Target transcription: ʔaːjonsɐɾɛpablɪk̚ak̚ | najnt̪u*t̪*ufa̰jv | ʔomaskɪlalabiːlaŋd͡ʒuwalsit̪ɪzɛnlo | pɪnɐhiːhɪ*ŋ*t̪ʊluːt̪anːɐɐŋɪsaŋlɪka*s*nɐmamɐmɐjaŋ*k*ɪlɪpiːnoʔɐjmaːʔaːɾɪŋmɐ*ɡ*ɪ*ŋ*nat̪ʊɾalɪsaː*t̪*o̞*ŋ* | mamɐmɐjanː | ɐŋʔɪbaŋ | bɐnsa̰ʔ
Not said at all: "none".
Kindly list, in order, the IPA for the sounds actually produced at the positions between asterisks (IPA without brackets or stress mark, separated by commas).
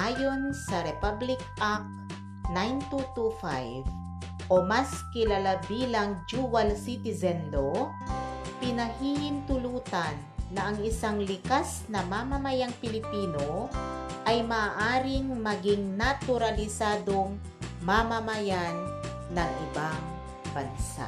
t̪, n, s, p, ɡ, ŋ, d̪, ŋ